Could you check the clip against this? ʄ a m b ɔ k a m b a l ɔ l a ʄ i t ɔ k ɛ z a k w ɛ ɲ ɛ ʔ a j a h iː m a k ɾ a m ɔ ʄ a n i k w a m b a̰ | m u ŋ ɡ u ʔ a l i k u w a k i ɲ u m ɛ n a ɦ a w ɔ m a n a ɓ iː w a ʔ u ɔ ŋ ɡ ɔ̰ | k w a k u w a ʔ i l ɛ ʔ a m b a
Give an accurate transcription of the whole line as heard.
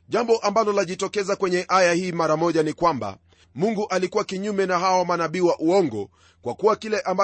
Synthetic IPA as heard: ʄ a m b ɔ ʔ a m b a l ɔ l a ʄ i t ɔ k ɛ z a k w ɛ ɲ ɛ ʔ a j a h iː m a ɾ a m ɔ ʄ a n i k w a m b a̰ | m u ŋ ɡ u ʔ a l i k u w a k i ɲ u m ɛ n a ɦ a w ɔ m a n a ɓ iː w a ʔ u ɔ ŋ ɡ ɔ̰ | k w a k u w a k i l ɛ ʔ a m b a